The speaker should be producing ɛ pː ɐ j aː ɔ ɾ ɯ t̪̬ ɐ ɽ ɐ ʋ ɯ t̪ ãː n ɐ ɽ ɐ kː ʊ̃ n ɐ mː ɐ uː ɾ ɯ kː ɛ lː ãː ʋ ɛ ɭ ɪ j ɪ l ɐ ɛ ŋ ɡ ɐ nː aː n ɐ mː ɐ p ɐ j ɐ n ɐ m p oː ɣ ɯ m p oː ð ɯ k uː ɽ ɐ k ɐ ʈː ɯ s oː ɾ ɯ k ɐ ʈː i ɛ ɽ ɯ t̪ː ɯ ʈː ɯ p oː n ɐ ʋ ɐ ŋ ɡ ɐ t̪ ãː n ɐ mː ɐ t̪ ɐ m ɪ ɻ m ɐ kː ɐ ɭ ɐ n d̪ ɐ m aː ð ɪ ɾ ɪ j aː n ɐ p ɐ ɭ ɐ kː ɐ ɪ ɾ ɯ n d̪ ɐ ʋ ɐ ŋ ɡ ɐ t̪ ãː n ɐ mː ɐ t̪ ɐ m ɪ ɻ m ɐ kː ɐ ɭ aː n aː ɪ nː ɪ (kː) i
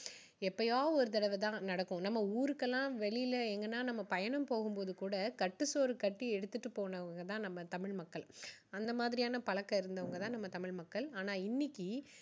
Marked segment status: correct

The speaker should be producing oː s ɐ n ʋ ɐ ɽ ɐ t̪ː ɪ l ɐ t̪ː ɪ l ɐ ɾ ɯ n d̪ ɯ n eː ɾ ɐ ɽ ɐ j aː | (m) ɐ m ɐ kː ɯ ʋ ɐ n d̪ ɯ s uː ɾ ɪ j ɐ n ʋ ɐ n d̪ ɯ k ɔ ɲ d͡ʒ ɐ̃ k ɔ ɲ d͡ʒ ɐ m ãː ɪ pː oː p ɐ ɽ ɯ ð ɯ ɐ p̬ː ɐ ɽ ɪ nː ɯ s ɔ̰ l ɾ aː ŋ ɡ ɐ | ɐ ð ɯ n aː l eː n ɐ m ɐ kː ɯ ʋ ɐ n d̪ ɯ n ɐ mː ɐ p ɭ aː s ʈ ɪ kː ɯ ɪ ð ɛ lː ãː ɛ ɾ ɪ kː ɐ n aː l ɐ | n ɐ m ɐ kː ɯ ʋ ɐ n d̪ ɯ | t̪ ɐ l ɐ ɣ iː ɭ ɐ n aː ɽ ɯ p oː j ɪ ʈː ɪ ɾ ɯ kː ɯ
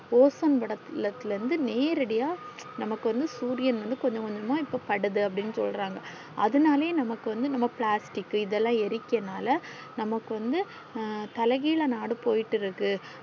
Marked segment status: incorrect: n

